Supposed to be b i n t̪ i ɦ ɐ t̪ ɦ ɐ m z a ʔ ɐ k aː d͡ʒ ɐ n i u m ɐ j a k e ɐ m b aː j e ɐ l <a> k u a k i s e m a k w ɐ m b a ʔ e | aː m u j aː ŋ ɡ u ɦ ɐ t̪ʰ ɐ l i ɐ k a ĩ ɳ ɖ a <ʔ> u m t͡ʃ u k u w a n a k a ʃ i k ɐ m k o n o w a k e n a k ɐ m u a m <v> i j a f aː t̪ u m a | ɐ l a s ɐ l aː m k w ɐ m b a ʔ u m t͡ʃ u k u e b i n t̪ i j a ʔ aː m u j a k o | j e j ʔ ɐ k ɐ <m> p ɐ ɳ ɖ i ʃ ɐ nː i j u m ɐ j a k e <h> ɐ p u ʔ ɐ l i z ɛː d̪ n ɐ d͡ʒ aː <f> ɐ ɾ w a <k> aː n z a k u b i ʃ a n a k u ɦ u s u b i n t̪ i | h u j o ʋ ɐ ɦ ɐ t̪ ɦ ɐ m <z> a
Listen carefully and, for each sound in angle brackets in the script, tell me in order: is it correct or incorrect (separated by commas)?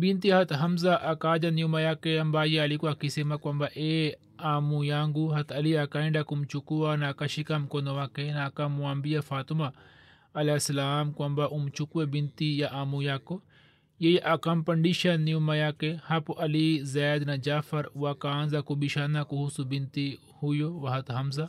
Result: incorrect, incorrect, incorrect, correct, correct, correct, correct, correct